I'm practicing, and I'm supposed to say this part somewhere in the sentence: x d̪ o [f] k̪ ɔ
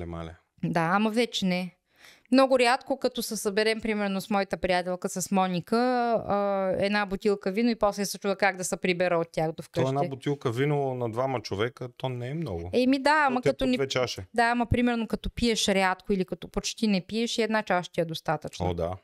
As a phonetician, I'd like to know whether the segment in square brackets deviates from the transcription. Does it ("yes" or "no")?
no